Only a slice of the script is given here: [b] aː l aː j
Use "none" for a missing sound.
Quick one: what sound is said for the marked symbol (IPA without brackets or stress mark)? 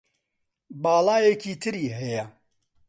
b